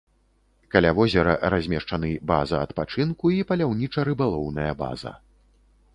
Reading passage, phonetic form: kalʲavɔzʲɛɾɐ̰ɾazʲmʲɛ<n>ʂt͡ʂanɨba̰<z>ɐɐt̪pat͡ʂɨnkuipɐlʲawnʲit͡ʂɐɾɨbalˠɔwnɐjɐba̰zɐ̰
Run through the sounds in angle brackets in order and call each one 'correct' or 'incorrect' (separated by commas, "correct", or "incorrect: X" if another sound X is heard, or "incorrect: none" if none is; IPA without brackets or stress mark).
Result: incorrect: none, correct